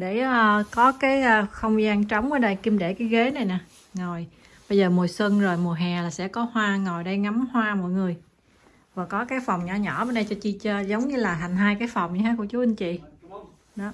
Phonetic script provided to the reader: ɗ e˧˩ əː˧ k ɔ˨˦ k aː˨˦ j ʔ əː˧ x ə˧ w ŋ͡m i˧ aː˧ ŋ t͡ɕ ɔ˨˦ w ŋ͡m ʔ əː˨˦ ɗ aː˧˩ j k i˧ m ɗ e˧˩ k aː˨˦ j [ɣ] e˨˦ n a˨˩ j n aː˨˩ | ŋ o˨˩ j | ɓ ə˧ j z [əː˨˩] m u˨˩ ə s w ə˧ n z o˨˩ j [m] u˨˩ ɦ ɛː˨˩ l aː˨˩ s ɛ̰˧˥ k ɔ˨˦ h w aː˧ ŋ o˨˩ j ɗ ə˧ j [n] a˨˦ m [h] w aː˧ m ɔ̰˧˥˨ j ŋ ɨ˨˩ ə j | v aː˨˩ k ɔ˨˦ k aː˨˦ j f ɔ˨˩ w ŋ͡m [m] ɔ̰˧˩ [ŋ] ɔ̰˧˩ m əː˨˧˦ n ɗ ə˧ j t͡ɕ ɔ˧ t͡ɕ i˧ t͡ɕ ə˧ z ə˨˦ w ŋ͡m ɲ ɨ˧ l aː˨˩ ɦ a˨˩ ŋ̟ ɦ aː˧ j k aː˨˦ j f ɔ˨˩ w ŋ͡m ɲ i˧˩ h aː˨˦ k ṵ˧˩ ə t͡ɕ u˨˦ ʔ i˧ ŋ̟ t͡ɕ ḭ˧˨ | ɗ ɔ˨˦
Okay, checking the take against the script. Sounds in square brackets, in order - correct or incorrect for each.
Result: correct, correct, correct, incorrect, correct, incorrect, incorrect

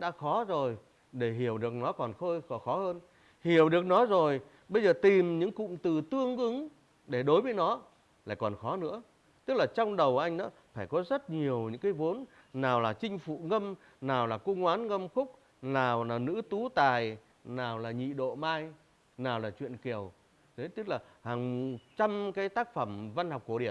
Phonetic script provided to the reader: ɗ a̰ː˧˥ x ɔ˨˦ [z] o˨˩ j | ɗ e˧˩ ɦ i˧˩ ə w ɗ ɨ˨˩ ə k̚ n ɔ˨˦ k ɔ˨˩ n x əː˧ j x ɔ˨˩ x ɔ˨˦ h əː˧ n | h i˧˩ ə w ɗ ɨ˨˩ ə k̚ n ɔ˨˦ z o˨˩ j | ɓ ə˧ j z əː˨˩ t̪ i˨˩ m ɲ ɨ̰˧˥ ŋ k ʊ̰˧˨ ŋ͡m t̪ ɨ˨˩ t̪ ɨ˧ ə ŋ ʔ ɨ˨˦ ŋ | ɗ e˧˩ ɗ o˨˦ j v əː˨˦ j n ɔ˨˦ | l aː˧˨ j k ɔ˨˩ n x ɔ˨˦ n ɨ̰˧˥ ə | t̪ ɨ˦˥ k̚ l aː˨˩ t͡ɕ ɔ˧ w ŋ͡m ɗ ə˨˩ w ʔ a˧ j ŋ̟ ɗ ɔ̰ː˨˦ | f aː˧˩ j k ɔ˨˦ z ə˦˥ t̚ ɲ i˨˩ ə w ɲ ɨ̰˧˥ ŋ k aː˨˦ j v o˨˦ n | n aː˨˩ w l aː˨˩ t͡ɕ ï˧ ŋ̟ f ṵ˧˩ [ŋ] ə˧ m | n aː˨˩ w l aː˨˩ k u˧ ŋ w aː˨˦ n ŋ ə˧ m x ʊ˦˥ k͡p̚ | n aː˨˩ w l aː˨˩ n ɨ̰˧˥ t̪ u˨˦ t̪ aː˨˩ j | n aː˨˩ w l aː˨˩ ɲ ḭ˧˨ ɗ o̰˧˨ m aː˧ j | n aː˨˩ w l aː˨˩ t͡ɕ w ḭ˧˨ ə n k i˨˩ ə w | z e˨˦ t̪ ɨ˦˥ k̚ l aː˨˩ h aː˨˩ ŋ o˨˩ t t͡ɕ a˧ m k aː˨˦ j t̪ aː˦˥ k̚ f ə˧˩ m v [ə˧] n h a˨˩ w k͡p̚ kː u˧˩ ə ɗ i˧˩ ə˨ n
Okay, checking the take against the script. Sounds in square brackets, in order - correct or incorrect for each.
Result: correct, correct, incorrect

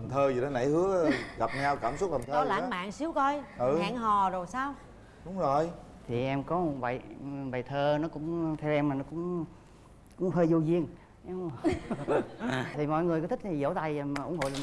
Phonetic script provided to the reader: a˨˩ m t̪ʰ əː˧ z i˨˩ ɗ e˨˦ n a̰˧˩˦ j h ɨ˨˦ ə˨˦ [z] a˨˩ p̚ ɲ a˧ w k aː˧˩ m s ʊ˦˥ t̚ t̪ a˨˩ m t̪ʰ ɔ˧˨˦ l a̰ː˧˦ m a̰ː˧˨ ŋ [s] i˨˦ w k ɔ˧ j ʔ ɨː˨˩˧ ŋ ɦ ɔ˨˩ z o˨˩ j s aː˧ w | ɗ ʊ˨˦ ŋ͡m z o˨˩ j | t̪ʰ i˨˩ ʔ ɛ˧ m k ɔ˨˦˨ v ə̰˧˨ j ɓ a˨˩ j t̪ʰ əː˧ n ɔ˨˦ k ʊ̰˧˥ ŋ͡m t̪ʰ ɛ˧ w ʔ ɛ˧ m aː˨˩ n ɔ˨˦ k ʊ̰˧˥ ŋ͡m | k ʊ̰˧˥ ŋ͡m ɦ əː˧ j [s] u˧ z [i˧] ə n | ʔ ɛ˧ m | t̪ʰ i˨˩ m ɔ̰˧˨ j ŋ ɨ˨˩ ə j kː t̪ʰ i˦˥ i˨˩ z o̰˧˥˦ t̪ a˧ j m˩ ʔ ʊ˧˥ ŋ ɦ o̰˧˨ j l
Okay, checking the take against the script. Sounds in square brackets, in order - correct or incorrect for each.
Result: incorrect, correct, incorrect, correct

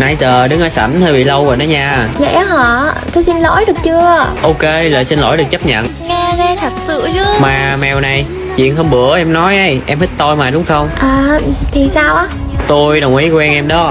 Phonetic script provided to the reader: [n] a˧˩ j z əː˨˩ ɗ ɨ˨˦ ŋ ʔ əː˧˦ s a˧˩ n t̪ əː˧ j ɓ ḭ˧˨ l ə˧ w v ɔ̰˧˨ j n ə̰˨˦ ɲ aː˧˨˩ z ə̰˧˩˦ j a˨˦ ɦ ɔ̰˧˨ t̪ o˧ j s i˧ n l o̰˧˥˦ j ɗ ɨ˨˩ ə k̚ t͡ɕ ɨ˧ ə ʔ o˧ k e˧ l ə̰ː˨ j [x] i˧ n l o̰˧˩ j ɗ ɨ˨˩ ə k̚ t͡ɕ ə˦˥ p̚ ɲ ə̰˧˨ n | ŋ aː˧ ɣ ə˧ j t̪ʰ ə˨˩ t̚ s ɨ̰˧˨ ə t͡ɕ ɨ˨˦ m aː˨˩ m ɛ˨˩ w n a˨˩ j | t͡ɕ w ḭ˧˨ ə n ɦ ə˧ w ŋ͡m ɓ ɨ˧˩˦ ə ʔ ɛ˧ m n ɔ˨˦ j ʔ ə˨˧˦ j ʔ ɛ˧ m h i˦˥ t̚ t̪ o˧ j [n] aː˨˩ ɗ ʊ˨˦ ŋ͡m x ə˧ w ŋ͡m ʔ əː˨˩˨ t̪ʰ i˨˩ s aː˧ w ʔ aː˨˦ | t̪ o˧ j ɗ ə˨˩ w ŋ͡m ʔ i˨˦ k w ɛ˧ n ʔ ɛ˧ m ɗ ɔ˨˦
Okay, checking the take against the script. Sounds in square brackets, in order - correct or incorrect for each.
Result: correct, incorrect, incorrect

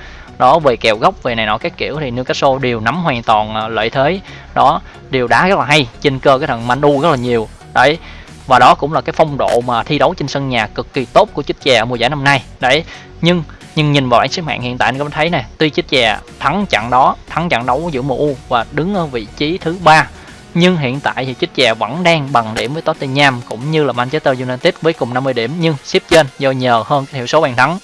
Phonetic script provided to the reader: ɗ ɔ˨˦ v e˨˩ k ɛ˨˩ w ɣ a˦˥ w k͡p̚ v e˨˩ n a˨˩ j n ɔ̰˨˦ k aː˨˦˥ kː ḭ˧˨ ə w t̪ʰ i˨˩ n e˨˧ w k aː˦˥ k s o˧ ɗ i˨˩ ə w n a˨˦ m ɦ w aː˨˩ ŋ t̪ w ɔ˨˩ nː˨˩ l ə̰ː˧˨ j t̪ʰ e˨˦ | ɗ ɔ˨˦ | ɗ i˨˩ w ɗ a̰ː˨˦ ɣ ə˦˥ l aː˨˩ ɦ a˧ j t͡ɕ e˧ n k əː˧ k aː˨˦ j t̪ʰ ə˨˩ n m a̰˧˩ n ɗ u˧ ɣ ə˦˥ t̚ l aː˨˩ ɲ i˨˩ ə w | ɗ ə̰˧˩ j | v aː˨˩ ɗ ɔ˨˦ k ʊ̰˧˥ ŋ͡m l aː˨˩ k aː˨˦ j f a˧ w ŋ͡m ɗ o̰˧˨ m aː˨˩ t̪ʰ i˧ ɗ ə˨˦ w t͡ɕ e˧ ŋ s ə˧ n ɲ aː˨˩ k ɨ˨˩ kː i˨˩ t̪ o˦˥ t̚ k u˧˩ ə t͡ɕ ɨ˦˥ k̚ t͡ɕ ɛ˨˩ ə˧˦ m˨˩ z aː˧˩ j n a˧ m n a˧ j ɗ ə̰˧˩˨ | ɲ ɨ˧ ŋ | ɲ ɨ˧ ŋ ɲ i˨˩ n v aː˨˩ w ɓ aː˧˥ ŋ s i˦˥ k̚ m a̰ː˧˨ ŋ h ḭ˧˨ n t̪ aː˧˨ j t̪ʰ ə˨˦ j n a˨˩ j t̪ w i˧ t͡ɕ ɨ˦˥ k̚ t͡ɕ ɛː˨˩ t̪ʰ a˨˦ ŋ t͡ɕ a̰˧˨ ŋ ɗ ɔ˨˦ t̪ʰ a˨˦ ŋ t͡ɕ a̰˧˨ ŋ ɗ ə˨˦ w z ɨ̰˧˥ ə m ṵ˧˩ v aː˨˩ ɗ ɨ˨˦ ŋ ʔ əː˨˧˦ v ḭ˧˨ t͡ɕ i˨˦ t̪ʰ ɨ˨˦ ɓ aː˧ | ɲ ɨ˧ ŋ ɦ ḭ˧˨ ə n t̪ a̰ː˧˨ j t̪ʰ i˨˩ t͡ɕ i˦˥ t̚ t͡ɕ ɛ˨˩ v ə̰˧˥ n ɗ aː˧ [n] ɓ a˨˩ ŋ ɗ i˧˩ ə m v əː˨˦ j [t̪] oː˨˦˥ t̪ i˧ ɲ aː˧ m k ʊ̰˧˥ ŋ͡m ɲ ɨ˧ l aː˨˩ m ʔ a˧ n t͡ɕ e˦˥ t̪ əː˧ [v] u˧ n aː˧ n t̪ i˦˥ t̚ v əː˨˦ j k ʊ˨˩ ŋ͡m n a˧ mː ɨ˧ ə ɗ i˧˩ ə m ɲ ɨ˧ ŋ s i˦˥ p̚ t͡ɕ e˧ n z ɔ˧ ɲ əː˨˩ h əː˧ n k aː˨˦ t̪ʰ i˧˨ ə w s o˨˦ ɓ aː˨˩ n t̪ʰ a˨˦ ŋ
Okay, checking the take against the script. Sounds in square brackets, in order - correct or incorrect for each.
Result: incorrect, correct, incorrect

